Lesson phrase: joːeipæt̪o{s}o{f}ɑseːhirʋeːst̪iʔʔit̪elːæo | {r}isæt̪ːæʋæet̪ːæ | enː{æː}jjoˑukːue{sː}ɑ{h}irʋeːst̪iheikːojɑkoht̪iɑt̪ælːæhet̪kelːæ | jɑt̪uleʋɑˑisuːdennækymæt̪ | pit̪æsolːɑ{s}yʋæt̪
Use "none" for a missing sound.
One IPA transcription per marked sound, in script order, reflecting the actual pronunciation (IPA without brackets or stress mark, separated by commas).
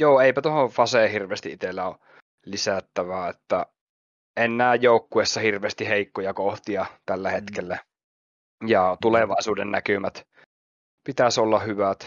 h, f, l, æː, sː, h, h